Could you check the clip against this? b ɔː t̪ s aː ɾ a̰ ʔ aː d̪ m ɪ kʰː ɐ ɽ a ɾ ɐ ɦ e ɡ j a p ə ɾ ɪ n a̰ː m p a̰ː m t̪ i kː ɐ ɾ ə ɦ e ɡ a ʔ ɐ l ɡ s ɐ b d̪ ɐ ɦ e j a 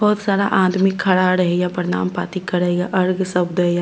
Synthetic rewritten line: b ɔː t̪ s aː ɾ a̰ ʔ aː d̪ m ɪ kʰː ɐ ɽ a ɾ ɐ ɦ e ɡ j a p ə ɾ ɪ n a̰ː m p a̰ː t̪ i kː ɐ ɾ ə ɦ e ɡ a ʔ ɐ ɾ ɡ s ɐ b d̪ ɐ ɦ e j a